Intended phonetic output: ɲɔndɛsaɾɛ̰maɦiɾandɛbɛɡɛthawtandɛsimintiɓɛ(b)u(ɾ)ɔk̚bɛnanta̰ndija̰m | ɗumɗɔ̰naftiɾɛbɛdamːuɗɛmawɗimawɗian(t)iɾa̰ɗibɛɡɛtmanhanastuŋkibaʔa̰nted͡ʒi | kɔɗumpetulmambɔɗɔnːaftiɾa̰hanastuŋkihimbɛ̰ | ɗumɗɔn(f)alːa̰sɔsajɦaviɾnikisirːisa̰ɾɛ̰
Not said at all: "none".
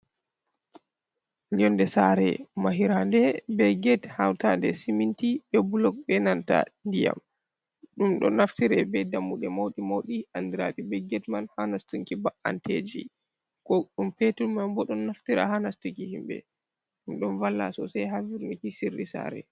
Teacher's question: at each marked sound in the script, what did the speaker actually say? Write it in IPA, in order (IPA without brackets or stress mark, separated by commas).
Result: b, l, d, v